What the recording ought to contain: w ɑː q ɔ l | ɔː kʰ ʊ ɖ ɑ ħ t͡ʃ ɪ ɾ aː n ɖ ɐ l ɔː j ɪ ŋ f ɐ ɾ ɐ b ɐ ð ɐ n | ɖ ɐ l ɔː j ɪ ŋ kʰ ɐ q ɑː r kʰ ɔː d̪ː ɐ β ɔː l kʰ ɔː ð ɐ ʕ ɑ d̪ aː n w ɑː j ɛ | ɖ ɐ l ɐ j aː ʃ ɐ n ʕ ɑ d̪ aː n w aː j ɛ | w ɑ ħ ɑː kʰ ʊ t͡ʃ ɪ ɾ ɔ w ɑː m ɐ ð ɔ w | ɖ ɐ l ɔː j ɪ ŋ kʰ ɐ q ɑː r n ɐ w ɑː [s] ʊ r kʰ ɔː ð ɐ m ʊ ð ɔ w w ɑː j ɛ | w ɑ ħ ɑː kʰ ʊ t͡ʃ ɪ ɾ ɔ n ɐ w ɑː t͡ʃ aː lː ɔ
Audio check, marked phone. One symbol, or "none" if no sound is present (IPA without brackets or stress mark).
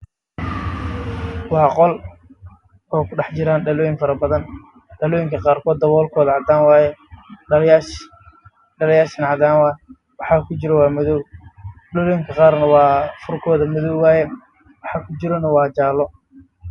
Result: f